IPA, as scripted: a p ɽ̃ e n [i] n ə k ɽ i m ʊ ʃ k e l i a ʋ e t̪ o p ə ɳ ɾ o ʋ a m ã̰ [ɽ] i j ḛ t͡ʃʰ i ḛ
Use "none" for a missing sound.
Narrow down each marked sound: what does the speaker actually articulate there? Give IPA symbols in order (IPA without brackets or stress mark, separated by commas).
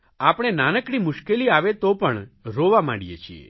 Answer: a, ɽ